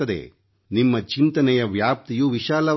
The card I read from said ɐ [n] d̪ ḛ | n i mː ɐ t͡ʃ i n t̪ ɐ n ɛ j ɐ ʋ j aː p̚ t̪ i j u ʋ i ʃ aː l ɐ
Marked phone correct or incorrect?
incorrect